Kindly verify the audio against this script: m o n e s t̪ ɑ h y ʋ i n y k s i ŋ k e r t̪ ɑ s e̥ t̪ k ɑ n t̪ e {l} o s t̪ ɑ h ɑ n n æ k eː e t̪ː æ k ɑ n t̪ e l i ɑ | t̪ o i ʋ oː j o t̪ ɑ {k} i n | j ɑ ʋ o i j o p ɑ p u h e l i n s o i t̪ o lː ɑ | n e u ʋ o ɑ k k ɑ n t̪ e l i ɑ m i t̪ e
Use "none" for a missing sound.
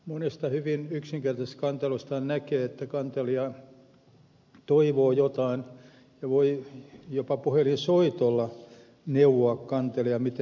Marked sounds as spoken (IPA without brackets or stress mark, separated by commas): l, none